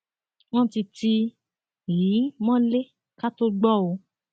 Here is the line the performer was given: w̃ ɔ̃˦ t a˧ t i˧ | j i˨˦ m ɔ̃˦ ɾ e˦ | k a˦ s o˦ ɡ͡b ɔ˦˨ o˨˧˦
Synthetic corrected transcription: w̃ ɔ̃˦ t i˧ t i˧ | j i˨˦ m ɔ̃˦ l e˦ | k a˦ t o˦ ɡ͡b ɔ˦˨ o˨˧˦